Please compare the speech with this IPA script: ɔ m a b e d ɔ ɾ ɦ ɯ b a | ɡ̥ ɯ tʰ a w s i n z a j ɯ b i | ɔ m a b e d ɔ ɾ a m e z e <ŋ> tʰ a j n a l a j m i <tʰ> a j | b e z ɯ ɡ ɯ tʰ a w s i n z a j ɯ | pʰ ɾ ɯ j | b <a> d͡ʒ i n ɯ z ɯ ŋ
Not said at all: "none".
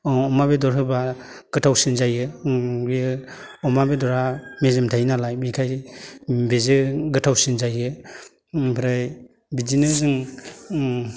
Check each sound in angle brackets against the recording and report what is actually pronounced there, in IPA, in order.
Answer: m, kʰ, i

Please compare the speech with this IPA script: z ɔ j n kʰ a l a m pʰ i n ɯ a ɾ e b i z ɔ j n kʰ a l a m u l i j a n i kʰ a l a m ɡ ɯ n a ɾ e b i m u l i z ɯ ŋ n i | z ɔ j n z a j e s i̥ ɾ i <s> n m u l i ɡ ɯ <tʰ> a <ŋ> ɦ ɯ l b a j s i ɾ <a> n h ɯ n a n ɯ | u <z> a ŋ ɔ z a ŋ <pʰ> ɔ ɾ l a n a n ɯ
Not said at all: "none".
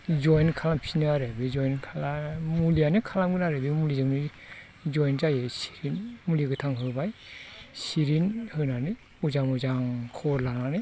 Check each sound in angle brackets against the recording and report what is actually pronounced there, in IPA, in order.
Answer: none, tʰ, ŋ, i, z, kʰ

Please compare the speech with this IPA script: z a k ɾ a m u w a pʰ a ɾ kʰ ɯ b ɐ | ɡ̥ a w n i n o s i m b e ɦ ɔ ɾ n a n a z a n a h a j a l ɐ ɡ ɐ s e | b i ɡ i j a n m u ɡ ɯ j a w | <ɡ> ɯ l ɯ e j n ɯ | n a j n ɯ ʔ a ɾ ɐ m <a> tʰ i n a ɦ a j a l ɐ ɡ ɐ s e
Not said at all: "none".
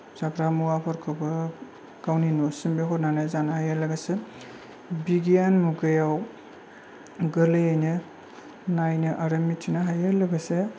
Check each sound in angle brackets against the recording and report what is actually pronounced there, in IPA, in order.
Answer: ɡ, i

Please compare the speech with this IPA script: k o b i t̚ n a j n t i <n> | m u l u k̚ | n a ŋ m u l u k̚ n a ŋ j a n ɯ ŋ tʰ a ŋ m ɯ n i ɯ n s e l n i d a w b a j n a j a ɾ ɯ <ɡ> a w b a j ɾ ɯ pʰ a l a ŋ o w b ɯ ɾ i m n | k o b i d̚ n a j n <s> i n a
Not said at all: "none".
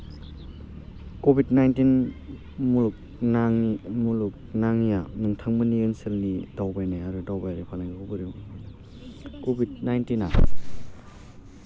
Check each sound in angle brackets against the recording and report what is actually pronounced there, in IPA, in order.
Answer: n, d, t

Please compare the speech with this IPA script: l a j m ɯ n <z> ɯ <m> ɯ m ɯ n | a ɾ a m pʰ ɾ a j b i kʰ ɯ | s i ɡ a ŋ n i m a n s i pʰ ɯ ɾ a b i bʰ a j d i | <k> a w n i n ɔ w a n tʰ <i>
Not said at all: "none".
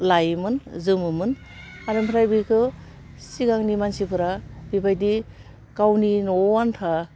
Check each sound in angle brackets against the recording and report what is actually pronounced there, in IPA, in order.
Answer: z, m, k, a

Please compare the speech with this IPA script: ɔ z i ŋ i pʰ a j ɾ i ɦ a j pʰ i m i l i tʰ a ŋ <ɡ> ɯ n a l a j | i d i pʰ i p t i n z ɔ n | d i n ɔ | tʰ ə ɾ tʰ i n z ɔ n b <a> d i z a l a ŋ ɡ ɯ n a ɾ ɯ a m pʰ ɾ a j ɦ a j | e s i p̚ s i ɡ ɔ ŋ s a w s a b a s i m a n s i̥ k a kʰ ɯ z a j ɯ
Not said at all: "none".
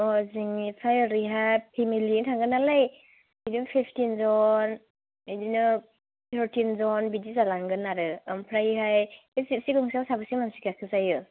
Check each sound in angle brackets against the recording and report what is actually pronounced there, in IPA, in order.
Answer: ɡ, i

